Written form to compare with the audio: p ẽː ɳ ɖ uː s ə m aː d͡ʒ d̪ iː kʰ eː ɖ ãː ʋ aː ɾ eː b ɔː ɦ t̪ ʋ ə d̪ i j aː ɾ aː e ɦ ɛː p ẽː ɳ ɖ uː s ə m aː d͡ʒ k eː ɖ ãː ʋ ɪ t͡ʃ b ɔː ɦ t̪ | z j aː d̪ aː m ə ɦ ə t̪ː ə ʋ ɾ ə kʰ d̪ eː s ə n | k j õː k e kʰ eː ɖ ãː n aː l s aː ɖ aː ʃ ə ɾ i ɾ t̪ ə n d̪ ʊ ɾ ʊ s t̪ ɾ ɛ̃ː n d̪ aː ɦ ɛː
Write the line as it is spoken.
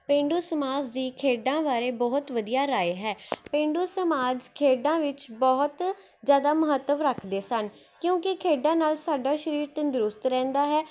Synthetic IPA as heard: p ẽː ɳ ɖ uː s ə m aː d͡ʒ d̪ iː kʰ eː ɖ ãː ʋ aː ɾ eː b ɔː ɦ t̪ ʋ ə d̪ i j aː ɾ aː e ɦ ɛː p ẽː ɳ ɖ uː s ə m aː d͡ʒ kʰ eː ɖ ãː ʋ ɪ t͡ʃ b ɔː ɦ t̪ | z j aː d̪ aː m ə ɦ ə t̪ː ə ʋ ɾ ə kʰ d̪ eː s ə n | k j õː k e kʰ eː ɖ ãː n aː l s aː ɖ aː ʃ ə ɾ iː ɾ t̪ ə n d̪ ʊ ɾ ʊ s t̪ ɾ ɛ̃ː n d̪ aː ɦ ɛː

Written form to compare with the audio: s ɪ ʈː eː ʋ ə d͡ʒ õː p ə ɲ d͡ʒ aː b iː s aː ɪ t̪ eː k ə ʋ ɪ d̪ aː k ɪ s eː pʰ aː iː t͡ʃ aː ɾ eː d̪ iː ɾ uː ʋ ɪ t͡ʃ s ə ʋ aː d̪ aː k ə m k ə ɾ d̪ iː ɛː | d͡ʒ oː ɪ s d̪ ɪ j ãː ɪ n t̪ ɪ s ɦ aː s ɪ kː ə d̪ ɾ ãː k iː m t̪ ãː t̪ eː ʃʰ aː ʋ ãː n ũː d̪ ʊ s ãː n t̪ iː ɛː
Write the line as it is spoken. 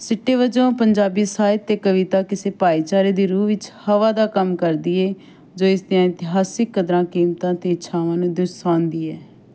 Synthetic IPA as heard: s ɪ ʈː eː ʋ ə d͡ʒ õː p ə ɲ d͡ʒ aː b iː s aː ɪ t̪ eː k ə ʋ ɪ t̪ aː k ɪ s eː p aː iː t͡ʃ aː ɾ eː d̪ iː ɾ uː ʋ ɪ t͡ʃ h ə ʋ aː d̪ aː k ə m k ə ɾ d̪ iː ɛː | d͡ʒ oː ɪ s d̪ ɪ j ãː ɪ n t̪ ɪ ɦ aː s ɪ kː ə d̪ ɾ ãː k iː m t̪ ãː t̪ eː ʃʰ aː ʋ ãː n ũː d̪ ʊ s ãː n d̪ iː ɛː

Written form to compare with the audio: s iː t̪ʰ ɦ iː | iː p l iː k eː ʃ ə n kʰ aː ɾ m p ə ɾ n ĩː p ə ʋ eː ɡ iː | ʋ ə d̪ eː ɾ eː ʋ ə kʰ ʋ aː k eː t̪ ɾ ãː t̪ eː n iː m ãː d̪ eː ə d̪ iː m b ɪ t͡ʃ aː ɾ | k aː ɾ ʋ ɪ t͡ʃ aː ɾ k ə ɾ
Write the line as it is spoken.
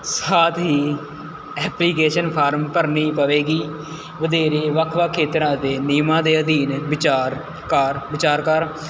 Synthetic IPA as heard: s aː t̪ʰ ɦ iː | ɛː p l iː k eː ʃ ə n pʰ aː ɾ m p ə ɾ n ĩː p ə ʋ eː ɡ iː | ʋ ə d̪ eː ɾ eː ʋ ə kʰ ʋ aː kʰ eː t̪ ɾ ãː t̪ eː n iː m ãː d̪ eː ə d̪ iː n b ɪ t͡ʃ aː ɾ | k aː ɾ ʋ ɪ t͡ʃ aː ɾ k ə ɾ

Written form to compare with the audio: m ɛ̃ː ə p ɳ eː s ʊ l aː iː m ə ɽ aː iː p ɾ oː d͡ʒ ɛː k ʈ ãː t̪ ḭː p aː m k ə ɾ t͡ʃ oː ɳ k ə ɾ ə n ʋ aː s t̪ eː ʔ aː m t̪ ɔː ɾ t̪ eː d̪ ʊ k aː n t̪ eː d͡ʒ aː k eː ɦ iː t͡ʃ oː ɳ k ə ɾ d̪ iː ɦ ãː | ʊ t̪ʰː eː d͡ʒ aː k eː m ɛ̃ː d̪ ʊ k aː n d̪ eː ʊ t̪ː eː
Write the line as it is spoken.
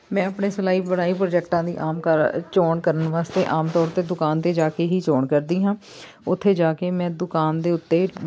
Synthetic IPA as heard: m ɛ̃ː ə p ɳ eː s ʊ l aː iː b ə ɽ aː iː p ɾ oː d͡ʒ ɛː k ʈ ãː d̪ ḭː ʔ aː m k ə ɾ t͡ʃ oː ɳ k ə ɾ ə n ʋ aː s t̪ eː ʔ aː m t̪ ɔː ɾ t̪ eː d̪ ʊ k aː n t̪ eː d͡ʒ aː k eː ɦ iː t͡ʃ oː ɳ k ə ɾ d̪ iː ɦ ãː | ʊ t̪ʰː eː d͡ʒ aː k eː m ɛ̃ː d̪ ʊ k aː n d̪ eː ʊ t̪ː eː

